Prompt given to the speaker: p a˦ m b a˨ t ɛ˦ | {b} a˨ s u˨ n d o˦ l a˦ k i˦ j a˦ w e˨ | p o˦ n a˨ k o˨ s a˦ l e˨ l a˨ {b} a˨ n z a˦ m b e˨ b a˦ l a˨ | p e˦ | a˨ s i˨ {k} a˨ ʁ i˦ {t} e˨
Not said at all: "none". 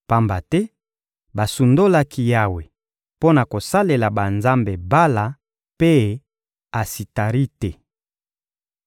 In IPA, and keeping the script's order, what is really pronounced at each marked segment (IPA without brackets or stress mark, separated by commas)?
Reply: b, b, t, t